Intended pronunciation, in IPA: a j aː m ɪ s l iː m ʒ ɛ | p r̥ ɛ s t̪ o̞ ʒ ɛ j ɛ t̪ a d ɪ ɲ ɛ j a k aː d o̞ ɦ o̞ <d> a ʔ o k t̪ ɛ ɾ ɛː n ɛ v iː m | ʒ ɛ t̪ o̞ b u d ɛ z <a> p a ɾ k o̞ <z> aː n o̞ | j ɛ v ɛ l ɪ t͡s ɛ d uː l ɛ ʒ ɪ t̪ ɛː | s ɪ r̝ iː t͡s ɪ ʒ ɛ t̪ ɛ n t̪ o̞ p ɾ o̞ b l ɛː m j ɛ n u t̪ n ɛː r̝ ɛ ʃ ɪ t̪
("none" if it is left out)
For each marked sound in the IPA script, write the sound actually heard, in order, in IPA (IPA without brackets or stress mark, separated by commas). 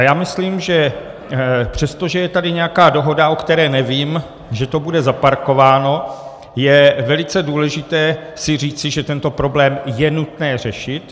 d, a, v